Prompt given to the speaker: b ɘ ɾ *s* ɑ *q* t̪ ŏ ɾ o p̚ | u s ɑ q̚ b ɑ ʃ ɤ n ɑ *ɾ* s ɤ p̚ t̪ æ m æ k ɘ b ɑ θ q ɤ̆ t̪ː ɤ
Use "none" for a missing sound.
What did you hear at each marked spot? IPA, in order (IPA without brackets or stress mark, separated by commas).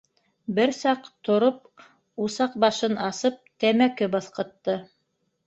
s, q, none